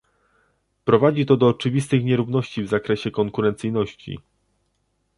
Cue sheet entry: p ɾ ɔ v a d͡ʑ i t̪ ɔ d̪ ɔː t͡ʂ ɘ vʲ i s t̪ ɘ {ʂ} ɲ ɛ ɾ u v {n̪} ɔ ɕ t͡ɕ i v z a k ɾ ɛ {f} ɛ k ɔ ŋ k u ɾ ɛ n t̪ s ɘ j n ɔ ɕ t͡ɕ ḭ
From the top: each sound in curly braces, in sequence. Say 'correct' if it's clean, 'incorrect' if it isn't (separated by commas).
incorrect, correct, incorrect